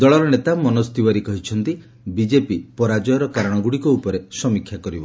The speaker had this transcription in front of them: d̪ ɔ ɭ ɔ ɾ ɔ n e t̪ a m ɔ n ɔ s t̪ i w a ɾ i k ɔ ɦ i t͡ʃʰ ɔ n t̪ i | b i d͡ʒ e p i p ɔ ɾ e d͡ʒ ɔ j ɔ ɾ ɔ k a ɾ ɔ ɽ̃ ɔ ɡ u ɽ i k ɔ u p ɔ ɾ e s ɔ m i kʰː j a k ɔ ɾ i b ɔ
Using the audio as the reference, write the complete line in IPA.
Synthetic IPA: d̪ ɔ ɭ ɔ ɾ ɔ n e t̪ a m ɔ n ɔ s t̪ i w a ɾ i k ɔ ɦ i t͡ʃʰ ɔ n t̪ i | b i d͡ʒ e p i p ɔ ɾ a d͡ʒ ɔ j ɔ ɾ ɔ k a ɾ ɔ ɽ̃ ɔ ɡ u ɽ i k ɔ u p ɔ ɾ e s ɔ m i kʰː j a k ɔ ɾ i b ɔ